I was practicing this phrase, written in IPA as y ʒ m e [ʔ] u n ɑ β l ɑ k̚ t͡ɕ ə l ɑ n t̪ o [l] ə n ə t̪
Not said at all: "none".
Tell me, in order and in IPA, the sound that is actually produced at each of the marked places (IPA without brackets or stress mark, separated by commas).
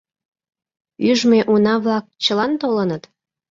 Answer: ʔ, l